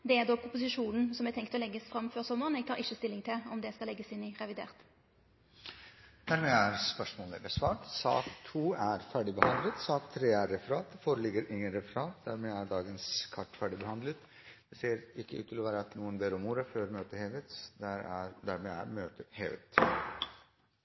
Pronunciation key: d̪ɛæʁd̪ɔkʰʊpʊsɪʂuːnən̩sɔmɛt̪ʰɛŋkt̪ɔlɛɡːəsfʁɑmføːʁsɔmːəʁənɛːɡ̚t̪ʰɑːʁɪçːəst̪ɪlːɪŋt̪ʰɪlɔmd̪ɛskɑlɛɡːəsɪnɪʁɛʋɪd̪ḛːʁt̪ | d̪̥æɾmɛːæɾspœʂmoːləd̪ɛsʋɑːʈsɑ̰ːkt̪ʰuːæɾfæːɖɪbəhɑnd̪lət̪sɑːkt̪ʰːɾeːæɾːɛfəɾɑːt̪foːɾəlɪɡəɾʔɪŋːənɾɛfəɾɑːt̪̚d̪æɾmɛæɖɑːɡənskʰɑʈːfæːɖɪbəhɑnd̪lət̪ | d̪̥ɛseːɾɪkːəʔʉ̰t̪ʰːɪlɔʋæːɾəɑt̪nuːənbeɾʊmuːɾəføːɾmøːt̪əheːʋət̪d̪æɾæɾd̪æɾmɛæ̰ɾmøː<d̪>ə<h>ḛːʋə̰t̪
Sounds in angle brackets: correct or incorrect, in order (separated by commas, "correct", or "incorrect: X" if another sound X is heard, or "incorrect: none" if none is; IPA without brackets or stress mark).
incorrect: t̪, correct